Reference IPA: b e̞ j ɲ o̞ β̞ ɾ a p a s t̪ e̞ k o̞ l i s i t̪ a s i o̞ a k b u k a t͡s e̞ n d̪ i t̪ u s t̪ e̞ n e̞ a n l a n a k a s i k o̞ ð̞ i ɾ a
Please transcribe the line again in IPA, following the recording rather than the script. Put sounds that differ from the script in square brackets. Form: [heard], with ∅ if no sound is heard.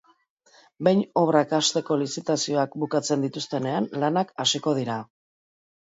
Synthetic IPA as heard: b e̞ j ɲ o̞ β̞ ɾ a [k] a s t̪ e̞ k o̞ l i s i t̪ a s i o̞ a k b u k a t͡s e̞ n d̪ i t̪ u s t̪ e̞ n e̞ a n l a n a k a s i k o̞ ð̞ i ɾ a